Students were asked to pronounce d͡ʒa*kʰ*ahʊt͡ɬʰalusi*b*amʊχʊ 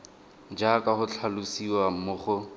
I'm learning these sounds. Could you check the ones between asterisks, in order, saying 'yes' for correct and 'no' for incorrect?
no, no

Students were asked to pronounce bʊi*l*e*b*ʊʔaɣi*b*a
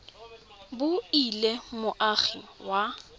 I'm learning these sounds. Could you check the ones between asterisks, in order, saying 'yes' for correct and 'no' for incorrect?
yes, no, no

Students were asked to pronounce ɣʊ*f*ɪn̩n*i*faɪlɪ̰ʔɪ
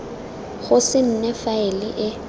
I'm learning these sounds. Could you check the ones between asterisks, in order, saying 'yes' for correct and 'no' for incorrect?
no, no

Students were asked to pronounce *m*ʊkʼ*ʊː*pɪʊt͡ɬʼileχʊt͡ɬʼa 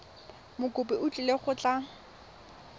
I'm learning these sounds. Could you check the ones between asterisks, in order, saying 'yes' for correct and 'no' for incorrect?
yes, no

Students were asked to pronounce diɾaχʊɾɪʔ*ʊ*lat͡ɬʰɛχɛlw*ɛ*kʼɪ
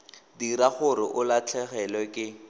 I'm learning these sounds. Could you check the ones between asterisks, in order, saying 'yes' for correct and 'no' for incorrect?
yes, yes

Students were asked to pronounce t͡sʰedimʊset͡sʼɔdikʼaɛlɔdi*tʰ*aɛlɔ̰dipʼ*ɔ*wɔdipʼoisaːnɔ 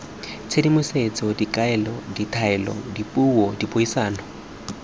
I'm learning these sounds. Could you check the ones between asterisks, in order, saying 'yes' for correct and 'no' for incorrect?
yes, no

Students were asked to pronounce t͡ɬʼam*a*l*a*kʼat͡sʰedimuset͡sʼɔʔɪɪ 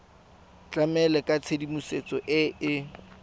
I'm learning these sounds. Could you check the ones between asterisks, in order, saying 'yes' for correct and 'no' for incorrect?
no, no

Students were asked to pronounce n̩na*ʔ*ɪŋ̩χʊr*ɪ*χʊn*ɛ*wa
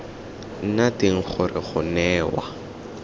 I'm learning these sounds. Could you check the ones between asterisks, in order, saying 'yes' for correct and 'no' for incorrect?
no, yes, no

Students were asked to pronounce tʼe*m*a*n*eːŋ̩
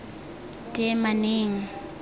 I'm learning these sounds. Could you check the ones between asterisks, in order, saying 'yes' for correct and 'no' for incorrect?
yes, yes

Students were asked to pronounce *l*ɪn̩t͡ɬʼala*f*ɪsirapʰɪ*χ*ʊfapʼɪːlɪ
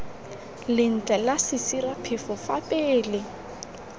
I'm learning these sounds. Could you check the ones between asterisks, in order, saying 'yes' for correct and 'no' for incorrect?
yes, no, no

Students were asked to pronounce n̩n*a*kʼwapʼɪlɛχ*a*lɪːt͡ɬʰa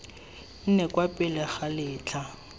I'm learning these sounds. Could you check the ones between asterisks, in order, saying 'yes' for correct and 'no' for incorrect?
no, yes

